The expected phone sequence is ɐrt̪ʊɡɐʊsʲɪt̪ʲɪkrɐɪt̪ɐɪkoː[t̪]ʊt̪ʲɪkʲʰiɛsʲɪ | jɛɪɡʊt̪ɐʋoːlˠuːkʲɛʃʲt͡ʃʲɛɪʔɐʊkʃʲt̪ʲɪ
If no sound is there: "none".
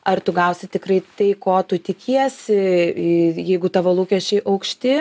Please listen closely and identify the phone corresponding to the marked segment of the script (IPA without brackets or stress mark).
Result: t̪